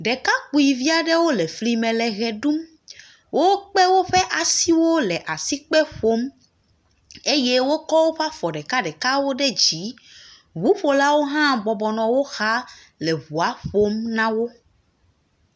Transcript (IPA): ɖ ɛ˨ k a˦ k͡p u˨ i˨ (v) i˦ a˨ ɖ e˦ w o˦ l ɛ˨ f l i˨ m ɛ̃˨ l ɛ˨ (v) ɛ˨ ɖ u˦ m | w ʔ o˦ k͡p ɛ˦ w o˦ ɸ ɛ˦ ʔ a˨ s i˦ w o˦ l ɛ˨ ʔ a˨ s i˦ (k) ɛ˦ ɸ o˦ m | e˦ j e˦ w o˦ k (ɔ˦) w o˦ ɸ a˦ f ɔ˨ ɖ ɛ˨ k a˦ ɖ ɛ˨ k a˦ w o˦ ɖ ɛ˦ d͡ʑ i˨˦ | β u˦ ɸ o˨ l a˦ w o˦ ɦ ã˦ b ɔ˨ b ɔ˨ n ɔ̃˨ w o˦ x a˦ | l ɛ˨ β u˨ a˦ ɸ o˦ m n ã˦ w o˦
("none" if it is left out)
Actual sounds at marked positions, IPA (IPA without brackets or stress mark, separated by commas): v, ɣ, k͡p, ɔ˦